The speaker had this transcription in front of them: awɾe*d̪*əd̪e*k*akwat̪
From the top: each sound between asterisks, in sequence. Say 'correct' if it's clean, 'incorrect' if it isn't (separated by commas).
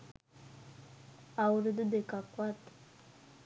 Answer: correct, correct